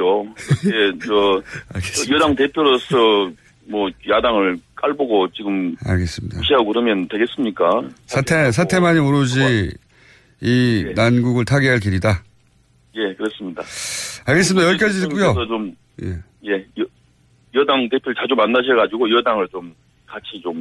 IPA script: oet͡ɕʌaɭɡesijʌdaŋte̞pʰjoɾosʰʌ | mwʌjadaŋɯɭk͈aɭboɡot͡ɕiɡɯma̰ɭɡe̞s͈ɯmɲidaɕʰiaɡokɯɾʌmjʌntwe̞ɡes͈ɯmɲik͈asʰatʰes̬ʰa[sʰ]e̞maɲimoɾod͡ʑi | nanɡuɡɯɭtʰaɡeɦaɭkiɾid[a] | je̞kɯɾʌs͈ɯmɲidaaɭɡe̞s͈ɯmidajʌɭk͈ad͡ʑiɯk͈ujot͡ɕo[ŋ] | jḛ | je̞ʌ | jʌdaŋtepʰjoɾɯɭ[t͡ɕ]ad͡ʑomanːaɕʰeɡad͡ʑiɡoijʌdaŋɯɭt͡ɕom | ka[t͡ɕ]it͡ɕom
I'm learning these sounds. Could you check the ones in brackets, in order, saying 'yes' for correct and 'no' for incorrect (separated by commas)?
no, yes, no, yes, no